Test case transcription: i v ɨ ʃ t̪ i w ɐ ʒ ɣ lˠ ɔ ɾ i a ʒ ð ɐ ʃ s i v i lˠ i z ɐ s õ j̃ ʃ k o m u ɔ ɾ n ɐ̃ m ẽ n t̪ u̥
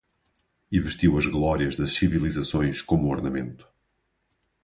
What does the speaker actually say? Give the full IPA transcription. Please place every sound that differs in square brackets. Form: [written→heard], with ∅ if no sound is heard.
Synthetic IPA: i v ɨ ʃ t̪ i w ɐ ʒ ɣ lˠ ɔ ɾ i [a→ɐ] ʒ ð ɐ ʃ s i v i lˠ i z ɐ s õ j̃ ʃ k o m u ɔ ɾ n [ɐ̃→ɐ] m ẽ n t̪ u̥